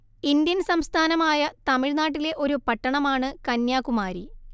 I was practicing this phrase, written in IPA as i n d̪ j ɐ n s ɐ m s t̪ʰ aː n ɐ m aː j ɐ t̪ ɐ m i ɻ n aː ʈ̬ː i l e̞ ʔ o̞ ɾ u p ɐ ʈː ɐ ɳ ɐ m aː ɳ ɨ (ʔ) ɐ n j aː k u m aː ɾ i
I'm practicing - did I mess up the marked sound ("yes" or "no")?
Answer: yes